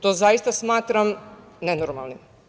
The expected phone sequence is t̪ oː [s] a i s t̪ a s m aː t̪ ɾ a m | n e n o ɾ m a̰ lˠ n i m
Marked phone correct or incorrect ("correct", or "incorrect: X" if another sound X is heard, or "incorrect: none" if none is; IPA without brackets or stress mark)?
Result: incorrect: z